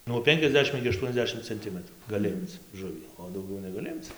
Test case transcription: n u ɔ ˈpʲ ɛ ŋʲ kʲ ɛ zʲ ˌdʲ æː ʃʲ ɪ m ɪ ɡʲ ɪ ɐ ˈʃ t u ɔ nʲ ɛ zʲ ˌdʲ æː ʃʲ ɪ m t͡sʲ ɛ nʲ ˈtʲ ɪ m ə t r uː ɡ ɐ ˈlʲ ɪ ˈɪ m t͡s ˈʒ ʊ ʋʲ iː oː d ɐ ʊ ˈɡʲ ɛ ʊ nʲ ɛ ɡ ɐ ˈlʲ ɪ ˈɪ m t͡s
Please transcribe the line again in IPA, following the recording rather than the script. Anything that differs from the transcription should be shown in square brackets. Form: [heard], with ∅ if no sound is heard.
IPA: n u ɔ ˈpʲ ɛ ŋʲ kʲ ɛ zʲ ˌdʲ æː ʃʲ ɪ m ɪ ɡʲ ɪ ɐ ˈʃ t u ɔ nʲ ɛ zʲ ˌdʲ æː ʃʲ ɪ m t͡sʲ ɛ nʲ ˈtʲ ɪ m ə t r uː ɡ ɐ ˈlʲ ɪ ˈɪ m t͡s ˈʒ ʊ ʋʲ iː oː d ɐ ʊ ˈɡʲ ɛ ʊ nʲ ɛ ɡ ɐ ˈlʲ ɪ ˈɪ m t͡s

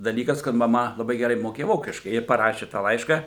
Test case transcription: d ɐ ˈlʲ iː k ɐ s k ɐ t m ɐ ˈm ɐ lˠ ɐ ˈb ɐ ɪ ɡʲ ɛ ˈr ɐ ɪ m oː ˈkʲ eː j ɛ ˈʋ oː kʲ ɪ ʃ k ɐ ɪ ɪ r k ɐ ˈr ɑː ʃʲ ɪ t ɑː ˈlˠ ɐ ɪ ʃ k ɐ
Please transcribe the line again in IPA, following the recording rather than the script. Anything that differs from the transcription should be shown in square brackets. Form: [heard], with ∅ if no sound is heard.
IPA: d ɐ ˈlʲ iː k ɐ s k ɐ t m ɐ ˈm ɐ lˠ ɐ ˈb ɐ ɪ ɡʲ ɛ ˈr ɐ ɪ m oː ˈkʲ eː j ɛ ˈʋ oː kʲ ɪ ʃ k ɐ ɪ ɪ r [p] ɐ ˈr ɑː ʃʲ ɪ t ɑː ˈlˠ ɐ ɪ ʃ k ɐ

